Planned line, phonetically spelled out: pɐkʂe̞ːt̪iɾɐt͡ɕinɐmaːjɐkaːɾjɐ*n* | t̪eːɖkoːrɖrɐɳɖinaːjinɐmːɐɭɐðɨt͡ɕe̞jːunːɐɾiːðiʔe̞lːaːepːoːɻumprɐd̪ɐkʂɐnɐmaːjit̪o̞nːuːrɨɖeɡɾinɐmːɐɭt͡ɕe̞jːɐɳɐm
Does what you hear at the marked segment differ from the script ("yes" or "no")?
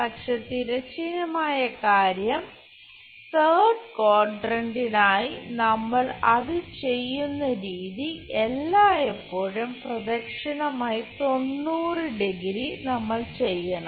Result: yes